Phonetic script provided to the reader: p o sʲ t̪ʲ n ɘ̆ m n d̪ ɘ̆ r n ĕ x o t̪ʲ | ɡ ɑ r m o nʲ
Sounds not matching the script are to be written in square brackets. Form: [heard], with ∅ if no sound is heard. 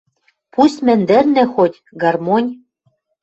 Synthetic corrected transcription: p [u] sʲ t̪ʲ [m] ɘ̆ [∅] n d̪ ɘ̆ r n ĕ x o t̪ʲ | ɡ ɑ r m o nʲ